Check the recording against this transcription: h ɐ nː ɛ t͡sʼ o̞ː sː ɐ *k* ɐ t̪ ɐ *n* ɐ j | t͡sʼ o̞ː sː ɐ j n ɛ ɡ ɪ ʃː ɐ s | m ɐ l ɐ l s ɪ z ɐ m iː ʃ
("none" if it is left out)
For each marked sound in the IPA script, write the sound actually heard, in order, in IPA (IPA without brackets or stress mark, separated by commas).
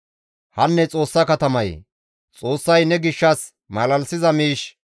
k, m